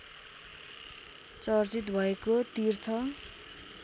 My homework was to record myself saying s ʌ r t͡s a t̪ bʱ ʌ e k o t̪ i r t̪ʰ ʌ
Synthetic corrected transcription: t͡s ʌ r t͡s i t̪ bʱ ʌ e k o t̪ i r t̪ʰ ʌ